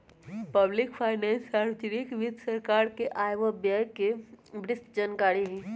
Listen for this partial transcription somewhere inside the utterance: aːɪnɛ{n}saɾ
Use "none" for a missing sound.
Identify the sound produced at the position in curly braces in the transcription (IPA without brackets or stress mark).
n